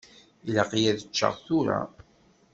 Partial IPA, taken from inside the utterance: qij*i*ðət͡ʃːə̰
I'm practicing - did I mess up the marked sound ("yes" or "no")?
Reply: yes